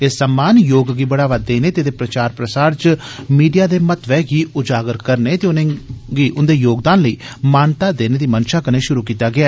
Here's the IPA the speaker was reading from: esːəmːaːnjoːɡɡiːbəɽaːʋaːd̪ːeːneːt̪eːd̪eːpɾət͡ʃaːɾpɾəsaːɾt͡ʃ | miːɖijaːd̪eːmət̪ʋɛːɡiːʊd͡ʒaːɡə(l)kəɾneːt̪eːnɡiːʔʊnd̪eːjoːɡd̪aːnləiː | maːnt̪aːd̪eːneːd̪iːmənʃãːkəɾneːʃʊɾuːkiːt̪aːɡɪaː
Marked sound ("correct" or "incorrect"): incorrect